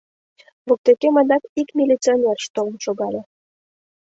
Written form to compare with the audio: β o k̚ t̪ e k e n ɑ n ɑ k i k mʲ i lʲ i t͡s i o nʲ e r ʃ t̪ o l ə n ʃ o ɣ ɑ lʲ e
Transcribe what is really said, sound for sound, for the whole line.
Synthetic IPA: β o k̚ t̪ e k e m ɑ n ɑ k i k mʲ i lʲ i t͡s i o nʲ e r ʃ t̪ o l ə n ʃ o ɣ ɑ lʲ e